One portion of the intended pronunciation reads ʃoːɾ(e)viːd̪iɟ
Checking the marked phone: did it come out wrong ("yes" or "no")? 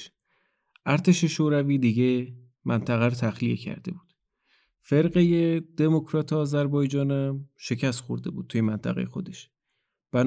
yes